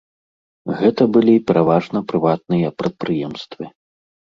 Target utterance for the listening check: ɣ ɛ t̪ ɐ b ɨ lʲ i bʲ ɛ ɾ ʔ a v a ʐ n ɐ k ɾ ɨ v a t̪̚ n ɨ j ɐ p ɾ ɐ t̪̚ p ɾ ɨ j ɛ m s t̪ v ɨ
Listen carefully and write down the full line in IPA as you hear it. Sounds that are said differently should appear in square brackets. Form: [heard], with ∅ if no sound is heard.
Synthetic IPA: ɣ ɛ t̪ ɐ b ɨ lʲ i [pʲ] ɛ ɾ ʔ a v a ʐ n ɐ [p] ɾ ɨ v a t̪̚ n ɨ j ɐ p ɾ ɐ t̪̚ p ɾ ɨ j ɛ m s t̪ v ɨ